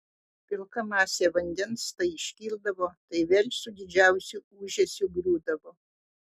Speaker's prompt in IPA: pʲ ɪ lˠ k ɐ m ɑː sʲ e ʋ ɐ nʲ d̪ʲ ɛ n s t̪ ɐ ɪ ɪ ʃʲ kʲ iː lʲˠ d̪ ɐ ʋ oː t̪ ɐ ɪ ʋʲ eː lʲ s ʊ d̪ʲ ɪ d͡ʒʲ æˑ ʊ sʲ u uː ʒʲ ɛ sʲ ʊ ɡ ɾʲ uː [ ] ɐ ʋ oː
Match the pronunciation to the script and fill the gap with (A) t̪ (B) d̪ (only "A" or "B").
B